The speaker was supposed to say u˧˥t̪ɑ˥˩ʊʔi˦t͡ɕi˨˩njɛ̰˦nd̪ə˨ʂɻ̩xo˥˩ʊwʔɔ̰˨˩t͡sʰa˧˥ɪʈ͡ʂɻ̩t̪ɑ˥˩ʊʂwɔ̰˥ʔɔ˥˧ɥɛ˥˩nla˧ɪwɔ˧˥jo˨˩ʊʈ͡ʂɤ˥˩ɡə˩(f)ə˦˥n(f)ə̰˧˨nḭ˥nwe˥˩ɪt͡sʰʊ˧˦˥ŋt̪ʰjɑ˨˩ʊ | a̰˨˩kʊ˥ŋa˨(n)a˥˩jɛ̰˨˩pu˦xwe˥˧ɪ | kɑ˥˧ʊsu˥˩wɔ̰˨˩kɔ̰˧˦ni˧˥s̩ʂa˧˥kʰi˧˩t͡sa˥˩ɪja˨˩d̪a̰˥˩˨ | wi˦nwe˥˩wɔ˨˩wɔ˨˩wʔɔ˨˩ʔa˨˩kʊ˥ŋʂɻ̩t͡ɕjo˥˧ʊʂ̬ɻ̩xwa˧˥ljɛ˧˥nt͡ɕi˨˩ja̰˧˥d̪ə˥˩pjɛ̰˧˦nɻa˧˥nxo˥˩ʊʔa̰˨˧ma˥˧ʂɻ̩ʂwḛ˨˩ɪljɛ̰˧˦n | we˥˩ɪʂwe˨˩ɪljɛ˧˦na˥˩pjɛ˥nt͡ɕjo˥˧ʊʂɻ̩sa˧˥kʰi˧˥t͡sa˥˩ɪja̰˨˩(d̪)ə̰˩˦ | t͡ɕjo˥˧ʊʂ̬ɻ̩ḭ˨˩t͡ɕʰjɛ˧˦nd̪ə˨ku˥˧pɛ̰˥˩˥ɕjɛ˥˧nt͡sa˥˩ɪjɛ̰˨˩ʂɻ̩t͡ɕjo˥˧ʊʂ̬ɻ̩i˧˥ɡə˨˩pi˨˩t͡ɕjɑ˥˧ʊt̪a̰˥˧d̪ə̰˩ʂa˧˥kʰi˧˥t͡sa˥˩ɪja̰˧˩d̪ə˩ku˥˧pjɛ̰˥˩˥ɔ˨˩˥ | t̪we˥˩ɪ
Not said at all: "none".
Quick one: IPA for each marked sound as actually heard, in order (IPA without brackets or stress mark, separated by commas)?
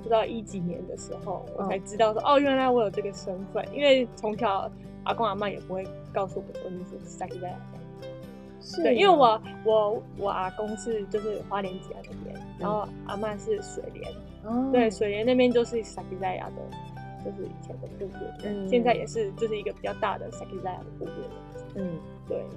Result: ʂ, f, m, d̪